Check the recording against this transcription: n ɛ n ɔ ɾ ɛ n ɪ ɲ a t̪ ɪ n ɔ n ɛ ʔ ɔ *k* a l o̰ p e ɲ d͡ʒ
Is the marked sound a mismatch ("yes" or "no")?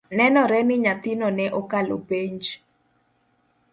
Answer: no